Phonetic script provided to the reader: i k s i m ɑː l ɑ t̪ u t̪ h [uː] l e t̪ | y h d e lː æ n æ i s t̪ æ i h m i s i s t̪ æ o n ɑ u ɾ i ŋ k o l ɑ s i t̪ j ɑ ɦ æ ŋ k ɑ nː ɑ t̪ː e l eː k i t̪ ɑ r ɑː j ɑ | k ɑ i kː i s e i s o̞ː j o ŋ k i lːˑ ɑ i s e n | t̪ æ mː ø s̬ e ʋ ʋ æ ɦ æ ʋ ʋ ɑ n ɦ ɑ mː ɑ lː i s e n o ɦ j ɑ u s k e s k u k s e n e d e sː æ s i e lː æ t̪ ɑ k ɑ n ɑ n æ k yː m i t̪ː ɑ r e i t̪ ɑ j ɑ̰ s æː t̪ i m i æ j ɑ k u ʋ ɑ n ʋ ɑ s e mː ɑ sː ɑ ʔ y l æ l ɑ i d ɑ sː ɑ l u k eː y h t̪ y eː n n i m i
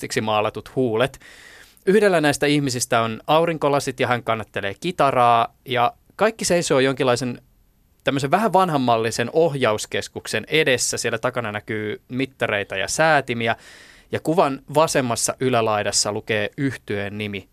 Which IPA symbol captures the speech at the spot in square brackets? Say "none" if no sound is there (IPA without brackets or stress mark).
uː